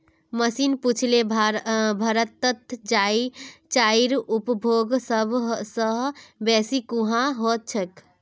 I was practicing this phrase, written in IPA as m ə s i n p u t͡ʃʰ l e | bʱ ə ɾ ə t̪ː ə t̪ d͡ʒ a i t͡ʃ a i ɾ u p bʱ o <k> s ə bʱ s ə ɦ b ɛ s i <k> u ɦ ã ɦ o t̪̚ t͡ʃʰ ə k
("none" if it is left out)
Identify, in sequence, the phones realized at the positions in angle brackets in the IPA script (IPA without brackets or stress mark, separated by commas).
ɡ, k